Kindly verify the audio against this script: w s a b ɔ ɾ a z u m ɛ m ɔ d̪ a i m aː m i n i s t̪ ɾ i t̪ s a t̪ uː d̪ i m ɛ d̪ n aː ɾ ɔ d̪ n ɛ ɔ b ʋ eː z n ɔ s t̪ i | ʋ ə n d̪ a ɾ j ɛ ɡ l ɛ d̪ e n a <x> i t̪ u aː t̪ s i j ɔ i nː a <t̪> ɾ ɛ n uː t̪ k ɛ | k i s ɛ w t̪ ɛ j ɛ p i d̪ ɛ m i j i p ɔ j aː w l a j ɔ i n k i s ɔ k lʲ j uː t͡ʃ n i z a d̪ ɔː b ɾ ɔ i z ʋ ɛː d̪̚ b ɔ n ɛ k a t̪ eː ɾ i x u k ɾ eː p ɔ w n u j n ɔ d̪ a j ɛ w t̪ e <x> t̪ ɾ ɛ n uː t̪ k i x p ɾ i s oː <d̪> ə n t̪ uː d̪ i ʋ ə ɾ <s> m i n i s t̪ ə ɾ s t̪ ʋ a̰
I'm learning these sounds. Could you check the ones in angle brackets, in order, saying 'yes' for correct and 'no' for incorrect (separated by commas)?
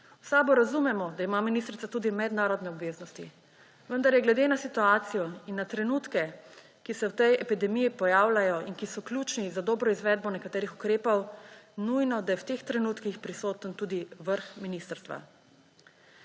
no, yes, yes, no, no